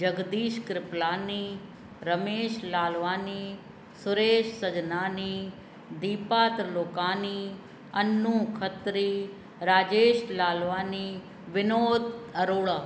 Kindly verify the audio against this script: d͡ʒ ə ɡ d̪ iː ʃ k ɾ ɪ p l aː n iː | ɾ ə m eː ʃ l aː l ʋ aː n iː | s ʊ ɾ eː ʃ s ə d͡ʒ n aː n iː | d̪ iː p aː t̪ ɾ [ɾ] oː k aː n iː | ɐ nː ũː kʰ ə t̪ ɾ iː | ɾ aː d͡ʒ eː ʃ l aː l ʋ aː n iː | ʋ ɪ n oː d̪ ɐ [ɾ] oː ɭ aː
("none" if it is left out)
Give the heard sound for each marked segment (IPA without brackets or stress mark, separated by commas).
l, ɾ